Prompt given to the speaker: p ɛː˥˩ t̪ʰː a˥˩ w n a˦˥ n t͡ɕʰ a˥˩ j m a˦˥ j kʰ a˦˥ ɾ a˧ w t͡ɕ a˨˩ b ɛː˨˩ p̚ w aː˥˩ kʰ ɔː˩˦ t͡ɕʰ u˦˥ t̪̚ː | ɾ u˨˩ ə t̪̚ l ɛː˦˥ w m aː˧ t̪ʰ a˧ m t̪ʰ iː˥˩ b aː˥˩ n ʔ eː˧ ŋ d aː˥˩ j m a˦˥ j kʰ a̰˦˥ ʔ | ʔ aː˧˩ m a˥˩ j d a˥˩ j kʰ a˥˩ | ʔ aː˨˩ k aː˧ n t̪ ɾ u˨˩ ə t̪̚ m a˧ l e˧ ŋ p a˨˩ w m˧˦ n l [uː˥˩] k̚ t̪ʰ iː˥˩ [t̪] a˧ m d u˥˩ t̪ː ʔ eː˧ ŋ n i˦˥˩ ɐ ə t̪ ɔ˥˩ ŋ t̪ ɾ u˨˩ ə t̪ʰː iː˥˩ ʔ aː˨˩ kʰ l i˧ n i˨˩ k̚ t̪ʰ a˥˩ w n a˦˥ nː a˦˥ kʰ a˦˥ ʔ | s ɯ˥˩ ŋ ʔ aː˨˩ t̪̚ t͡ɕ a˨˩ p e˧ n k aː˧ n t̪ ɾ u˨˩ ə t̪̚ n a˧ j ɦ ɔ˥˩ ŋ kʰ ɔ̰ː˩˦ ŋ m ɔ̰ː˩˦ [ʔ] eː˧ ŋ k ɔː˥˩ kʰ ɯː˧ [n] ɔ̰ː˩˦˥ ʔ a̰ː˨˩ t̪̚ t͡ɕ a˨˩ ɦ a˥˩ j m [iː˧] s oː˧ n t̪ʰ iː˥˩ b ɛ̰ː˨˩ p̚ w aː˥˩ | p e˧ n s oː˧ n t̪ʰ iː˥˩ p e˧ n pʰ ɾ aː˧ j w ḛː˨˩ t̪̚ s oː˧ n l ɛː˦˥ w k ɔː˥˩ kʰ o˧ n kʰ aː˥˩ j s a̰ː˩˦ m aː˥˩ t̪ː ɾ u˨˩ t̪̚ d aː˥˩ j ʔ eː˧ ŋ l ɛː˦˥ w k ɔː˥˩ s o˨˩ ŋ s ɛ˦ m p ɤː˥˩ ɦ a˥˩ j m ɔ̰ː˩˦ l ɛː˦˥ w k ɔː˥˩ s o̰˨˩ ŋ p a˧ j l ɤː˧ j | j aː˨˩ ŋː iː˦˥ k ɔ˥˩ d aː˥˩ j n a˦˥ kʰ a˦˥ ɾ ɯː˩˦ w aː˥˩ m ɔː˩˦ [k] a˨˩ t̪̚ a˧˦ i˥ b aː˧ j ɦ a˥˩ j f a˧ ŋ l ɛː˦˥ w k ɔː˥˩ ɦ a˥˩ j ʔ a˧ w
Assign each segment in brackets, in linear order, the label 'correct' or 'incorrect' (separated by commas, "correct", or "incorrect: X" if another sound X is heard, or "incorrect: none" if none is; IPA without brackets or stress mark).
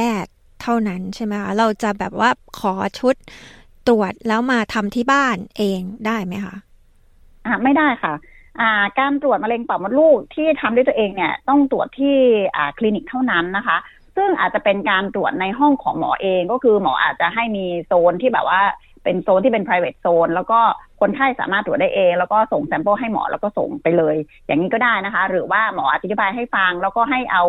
correct, incorrect: t̪ʰ, correct, incorrect: m, correct, incorrect: ʔ